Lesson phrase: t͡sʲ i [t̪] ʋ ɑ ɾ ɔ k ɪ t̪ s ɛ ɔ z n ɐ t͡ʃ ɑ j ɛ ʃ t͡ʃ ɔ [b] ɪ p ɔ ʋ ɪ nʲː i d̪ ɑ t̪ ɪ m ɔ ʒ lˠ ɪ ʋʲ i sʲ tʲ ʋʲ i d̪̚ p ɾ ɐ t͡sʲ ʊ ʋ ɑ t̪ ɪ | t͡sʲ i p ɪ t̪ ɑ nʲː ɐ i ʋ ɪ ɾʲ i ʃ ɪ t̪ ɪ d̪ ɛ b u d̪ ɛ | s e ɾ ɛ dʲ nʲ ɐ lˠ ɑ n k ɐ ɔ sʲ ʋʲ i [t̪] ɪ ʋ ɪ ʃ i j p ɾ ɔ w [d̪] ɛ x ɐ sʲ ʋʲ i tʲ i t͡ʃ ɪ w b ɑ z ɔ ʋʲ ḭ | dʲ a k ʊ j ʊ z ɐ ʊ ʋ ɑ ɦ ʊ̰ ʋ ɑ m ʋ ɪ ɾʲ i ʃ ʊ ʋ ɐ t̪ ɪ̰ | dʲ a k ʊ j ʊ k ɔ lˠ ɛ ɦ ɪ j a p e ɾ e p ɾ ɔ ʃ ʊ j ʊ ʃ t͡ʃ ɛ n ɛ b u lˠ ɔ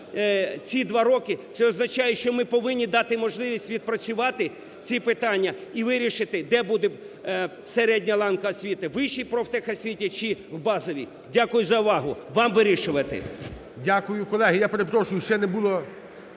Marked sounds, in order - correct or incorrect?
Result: incorrect: d̪, incorrect: m, correct, incorrect: t̪

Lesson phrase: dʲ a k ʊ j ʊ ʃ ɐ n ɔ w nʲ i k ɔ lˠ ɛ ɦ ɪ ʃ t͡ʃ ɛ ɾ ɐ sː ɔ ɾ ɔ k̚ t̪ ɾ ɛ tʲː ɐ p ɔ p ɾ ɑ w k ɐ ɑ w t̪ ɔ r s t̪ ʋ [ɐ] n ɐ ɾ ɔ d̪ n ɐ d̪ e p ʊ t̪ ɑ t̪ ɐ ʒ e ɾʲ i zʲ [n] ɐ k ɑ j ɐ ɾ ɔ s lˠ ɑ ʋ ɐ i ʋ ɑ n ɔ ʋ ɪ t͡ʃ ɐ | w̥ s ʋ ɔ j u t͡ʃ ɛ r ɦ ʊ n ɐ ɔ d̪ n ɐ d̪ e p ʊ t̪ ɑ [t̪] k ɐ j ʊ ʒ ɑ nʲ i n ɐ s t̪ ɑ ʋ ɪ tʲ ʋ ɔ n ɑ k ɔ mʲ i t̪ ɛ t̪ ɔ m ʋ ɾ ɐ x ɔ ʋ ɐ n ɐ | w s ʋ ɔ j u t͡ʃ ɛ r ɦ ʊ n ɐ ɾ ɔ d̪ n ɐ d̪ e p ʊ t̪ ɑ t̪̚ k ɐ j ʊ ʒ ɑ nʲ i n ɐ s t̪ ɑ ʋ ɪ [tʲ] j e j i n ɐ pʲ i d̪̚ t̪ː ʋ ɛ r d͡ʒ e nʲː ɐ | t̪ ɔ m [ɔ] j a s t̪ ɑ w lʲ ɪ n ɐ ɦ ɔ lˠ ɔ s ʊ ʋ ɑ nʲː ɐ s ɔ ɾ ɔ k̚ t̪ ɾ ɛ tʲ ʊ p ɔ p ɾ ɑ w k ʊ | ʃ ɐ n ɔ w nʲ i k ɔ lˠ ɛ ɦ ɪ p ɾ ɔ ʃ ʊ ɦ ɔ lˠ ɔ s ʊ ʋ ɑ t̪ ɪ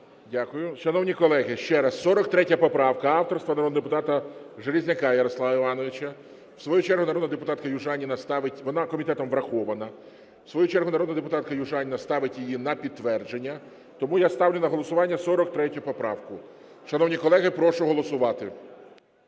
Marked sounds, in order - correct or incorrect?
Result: correct, correct, correct, correct, incorrect: u

